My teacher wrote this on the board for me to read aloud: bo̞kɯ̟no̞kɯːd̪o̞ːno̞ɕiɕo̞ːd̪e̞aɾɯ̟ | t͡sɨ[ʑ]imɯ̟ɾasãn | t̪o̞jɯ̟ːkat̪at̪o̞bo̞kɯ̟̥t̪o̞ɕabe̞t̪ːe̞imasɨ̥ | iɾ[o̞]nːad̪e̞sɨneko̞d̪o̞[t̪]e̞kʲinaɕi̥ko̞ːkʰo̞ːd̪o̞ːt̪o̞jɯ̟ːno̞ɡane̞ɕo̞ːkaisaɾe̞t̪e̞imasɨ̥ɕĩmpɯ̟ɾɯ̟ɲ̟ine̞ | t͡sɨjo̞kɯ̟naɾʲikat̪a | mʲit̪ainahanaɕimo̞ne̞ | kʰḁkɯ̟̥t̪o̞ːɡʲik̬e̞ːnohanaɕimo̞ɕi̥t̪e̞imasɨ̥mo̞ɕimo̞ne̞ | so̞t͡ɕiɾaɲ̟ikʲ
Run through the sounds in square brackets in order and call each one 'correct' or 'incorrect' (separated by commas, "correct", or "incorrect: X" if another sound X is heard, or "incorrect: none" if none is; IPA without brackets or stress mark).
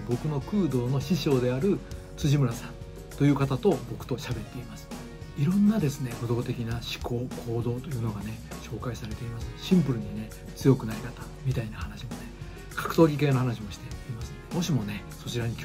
correct, incorrect: õ̞, correct